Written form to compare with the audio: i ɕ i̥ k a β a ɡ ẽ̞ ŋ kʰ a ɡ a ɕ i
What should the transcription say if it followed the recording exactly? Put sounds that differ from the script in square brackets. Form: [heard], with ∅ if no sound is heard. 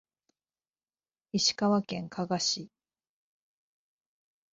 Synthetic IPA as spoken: i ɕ i̥ k a β a [k] ẽ̞ ŋ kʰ a ɡ a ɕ i